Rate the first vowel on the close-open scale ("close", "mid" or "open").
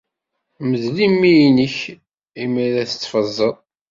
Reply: mid